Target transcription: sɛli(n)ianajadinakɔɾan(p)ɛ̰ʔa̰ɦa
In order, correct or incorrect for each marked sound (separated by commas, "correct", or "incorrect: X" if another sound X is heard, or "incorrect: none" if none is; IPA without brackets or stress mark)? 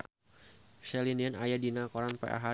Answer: correct, correct